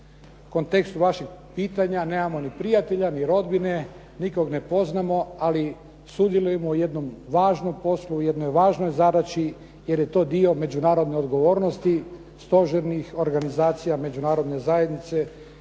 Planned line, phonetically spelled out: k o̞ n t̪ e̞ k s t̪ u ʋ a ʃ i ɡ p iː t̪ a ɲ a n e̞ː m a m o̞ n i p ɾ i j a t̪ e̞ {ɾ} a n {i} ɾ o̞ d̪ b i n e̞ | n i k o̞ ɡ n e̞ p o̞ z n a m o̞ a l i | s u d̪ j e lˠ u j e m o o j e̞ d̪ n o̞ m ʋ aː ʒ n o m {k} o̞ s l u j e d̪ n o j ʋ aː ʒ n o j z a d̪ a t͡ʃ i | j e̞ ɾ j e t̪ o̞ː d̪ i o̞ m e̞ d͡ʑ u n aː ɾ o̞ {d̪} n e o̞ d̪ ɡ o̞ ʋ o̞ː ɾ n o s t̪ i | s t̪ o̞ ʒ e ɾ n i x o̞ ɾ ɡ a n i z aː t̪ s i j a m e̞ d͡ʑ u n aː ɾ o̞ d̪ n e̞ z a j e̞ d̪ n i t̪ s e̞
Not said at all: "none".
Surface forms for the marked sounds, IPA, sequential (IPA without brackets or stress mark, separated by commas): ʎ, i, p, d̪